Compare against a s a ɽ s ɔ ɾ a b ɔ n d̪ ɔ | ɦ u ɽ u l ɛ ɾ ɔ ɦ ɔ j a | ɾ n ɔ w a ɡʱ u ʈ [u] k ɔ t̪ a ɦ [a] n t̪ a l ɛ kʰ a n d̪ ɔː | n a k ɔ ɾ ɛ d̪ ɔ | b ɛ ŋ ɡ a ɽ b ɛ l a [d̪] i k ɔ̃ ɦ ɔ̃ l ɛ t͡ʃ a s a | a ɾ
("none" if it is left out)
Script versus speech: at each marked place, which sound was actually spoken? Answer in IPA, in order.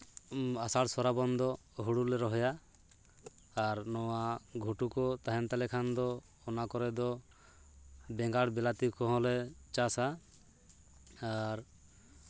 u, ɛ, t̪

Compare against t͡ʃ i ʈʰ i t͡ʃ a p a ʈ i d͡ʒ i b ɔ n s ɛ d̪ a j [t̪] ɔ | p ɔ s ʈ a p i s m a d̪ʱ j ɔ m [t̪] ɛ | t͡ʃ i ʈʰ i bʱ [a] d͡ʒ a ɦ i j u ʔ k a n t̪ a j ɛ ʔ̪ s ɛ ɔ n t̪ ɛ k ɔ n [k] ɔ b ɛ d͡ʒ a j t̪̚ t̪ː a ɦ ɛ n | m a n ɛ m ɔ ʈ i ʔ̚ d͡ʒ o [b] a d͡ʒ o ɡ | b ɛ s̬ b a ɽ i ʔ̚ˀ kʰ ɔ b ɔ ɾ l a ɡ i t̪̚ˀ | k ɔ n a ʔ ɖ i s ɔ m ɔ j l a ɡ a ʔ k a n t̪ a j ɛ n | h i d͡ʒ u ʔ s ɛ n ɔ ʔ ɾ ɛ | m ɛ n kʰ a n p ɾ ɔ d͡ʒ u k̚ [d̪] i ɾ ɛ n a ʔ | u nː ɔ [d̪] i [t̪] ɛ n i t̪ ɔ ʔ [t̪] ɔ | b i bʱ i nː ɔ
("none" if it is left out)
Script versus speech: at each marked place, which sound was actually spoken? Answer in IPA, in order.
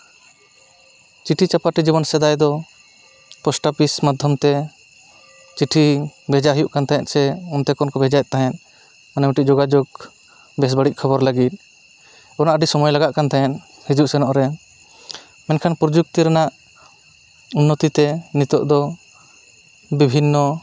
d̪, t̪, ɛ, k, ɡ, t̪, t̪, t̪, d̪

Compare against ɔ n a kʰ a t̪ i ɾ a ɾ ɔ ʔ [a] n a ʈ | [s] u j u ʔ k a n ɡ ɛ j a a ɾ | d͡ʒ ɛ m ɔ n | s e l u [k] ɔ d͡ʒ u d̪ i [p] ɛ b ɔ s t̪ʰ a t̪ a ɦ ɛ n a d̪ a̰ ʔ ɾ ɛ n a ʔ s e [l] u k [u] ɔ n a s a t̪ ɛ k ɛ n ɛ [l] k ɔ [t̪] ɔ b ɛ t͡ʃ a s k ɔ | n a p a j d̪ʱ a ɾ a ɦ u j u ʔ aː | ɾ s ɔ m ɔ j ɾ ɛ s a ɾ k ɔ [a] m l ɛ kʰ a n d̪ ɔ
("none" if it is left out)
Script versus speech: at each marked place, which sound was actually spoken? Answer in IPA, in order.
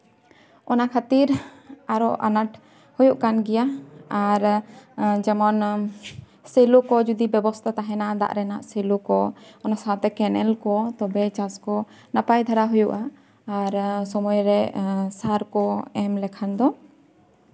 a, h, k, b, l, ɔ, l, t̪, ɛ

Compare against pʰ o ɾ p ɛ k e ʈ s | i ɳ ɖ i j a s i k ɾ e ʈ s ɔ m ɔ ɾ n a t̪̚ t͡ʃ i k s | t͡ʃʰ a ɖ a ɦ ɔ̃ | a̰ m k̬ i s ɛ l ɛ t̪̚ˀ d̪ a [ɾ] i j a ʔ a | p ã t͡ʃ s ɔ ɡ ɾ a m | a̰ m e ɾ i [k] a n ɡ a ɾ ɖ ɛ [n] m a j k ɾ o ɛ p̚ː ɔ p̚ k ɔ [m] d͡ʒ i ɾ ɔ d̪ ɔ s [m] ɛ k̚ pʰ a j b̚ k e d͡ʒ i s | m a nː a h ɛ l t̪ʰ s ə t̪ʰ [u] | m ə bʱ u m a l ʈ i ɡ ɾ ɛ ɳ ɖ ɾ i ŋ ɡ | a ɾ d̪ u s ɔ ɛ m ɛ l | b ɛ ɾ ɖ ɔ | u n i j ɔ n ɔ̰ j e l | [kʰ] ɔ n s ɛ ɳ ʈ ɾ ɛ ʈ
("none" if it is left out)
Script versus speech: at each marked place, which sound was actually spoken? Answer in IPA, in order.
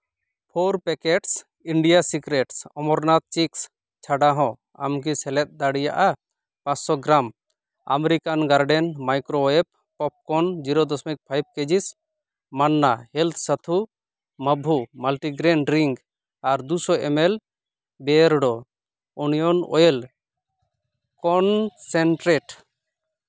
ɽ, k, n, n, m, u, k

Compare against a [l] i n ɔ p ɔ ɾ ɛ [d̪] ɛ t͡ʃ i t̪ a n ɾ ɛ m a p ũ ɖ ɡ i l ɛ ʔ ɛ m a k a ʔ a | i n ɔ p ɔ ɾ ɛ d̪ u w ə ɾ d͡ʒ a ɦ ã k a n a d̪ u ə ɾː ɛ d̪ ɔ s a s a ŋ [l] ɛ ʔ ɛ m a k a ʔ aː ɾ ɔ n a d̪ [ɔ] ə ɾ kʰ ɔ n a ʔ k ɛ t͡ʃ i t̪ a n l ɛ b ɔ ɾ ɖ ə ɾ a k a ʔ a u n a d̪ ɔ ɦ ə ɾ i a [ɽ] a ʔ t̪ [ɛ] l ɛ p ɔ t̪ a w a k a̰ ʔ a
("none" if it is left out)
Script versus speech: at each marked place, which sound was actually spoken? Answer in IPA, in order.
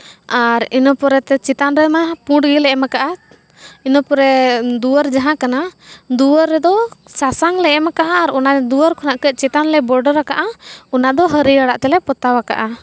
ɾ, t̪, l, u, ɽ, ɛ

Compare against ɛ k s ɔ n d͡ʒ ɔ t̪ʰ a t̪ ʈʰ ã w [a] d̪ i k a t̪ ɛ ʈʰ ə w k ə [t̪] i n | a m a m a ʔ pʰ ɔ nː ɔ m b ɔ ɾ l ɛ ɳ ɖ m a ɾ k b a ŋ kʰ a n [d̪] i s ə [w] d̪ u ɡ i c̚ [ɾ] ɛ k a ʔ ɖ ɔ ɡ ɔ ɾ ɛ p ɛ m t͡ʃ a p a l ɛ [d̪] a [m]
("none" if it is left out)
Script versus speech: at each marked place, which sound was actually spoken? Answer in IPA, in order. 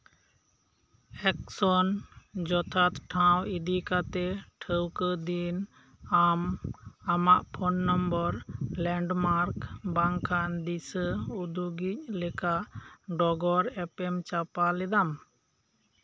i, d̪, d̪, u, l, d̪, m

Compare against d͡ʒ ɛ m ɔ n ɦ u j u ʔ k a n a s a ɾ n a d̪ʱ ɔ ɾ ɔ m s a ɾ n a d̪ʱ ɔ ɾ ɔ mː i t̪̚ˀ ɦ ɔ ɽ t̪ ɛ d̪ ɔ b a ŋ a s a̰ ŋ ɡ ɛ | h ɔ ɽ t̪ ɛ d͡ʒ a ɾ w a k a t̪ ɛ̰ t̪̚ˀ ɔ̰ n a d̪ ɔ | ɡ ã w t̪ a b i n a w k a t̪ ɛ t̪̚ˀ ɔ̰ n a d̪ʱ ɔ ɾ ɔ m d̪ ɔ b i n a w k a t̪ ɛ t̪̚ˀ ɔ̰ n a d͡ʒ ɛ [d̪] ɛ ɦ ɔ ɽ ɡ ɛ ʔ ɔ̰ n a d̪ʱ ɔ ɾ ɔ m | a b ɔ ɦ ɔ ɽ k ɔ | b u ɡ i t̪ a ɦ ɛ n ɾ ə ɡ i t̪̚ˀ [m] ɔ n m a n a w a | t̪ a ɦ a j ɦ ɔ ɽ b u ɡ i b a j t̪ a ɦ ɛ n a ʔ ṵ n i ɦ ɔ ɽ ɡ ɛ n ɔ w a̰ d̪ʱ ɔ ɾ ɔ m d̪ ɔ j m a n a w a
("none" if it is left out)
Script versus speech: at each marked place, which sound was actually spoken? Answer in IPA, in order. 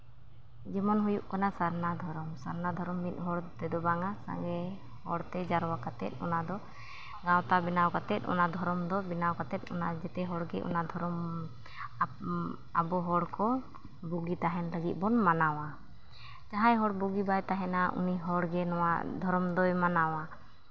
t̪, b

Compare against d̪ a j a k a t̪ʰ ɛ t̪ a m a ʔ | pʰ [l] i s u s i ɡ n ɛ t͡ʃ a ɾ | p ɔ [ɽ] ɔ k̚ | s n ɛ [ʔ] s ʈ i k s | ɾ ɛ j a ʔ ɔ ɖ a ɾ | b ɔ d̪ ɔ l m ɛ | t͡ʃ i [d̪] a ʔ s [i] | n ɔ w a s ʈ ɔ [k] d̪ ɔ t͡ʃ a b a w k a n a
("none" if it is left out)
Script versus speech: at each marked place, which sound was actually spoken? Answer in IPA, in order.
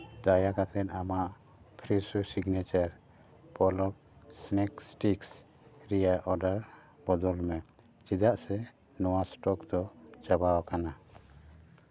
ɾ, l, k, d̪, ɛ, k

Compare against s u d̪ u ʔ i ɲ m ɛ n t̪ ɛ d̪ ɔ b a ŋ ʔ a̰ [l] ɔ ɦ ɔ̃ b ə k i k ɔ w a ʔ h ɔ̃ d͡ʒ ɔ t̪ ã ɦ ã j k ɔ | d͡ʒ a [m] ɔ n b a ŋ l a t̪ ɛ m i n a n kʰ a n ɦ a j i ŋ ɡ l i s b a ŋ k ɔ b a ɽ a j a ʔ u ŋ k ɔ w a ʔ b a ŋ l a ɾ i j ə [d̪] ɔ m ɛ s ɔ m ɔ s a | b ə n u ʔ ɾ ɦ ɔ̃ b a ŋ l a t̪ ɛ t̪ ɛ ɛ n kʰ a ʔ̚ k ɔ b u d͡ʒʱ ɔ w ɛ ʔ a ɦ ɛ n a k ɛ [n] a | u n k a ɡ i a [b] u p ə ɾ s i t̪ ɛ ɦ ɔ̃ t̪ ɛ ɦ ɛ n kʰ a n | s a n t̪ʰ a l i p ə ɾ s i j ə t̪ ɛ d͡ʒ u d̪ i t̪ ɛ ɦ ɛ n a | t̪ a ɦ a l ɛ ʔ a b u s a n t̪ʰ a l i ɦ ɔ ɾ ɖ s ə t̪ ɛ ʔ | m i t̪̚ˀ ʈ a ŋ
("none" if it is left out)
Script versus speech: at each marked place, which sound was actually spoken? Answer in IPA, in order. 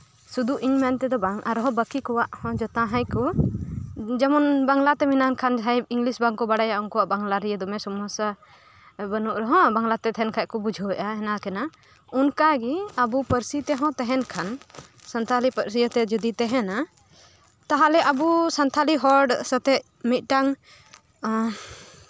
ɾ, m, d̪, n, b

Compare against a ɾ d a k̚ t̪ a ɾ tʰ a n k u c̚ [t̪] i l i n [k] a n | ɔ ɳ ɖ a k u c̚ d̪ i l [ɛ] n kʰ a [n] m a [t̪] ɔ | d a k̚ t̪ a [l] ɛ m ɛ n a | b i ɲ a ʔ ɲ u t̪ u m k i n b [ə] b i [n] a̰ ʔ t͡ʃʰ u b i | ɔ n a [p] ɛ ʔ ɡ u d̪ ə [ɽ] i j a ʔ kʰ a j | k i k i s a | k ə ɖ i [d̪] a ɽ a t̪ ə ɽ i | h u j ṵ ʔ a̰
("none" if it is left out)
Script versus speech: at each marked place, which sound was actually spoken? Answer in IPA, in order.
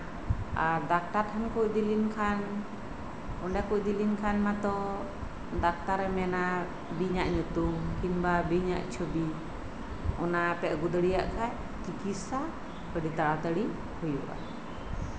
d̪, kʰ, i, n, t̪, ɾ, a, ɲ, p, ɽ, t̪

